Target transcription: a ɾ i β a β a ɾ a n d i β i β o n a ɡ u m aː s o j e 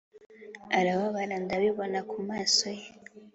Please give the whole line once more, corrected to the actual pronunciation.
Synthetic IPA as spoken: a ɾ a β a β a ɾ a n d a β i β o n a k u m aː s o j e